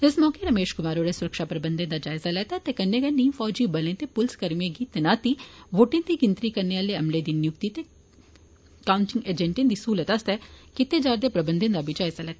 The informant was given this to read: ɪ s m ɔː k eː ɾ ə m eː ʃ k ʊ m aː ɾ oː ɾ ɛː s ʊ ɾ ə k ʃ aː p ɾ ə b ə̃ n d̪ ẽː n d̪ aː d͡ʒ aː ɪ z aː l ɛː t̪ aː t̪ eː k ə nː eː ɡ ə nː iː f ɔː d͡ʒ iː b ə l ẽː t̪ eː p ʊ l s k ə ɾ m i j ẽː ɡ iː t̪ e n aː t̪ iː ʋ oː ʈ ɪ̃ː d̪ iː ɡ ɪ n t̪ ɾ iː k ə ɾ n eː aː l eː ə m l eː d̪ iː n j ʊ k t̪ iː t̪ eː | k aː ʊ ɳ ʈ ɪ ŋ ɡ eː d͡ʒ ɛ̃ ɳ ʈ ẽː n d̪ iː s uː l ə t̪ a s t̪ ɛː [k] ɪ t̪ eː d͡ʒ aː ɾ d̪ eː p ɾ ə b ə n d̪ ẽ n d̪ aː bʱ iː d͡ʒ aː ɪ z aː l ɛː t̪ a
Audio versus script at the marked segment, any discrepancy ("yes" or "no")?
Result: no